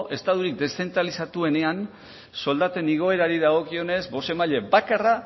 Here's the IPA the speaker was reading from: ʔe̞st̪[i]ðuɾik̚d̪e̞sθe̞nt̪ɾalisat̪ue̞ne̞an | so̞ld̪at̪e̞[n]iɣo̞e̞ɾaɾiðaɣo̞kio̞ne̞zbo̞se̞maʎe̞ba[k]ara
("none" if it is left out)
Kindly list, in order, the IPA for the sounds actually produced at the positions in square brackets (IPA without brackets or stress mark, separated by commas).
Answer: a, n, k